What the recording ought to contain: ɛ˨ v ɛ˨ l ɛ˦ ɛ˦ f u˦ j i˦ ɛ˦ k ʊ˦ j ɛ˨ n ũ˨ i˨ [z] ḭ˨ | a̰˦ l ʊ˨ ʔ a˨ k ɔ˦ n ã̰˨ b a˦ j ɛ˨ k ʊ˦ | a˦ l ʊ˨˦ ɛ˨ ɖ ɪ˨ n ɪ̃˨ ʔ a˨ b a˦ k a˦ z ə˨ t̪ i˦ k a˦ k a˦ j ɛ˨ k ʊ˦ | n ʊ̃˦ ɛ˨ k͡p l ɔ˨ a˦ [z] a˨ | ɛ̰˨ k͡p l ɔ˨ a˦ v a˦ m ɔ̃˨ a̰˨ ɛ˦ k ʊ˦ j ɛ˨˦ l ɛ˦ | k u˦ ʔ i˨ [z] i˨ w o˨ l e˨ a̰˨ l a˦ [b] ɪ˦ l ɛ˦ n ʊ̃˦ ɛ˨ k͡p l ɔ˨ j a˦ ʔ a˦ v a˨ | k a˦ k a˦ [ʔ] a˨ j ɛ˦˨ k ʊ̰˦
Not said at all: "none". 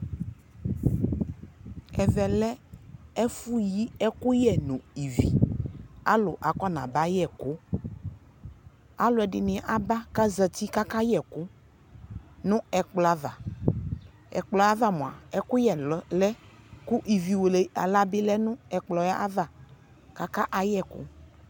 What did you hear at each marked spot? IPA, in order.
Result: v, v, v, b, ʔ

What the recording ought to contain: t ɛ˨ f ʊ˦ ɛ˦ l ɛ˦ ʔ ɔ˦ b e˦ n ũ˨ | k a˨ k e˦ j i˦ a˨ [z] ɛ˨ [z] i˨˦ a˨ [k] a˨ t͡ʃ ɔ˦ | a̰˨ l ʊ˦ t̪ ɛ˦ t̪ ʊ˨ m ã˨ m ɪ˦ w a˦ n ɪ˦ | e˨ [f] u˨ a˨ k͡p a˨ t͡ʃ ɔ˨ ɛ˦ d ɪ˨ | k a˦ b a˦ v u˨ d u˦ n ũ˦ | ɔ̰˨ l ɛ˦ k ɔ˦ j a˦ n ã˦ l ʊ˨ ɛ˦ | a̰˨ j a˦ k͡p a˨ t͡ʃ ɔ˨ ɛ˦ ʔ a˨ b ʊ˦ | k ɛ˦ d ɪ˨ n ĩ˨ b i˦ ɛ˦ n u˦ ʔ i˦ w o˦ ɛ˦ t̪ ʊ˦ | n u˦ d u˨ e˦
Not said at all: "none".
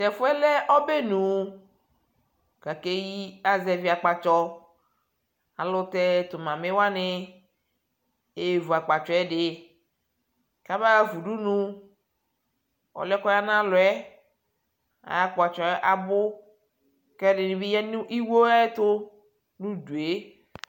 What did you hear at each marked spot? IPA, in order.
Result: z, v, k͡p, v

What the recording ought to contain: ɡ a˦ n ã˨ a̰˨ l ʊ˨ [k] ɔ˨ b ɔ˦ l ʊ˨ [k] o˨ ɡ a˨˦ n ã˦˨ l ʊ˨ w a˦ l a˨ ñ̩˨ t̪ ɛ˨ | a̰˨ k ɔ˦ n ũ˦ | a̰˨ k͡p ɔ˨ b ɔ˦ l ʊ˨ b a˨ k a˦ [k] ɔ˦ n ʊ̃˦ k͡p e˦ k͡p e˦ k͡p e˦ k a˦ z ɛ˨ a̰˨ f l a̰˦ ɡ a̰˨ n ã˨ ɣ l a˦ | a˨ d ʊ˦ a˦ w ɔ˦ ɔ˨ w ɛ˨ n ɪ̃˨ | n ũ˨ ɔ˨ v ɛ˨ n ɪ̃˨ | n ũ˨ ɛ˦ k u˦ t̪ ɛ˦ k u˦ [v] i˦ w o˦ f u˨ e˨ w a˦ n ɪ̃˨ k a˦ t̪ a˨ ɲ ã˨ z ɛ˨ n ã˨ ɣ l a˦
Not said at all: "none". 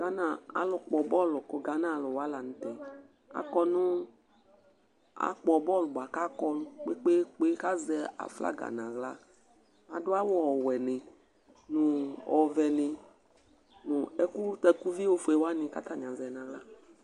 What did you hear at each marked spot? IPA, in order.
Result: k͡p, k, k, v

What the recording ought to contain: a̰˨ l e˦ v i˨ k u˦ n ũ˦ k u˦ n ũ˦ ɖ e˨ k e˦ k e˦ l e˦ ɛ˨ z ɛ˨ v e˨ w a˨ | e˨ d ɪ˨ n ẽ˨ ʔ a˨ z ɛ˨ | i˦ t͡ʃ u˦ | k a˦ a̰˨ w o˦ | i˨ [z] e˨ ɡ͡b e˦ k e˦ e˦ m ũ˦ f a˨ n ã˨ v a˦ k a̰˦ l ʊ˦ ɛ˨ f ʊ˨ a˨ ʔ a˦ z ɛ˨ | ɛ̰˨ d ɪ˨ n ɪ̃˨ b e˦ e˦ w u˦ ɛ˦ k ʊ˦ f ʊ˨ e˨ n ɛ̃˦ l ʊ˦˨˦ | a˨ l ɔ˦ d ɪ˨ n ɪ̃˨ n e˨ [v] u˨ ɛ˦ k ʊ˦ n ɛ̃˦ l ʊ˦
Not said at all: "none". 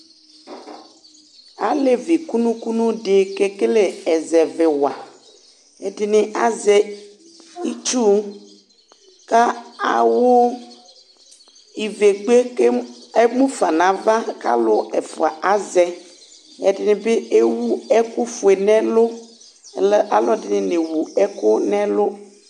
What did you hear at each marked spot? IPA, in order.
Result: v, w

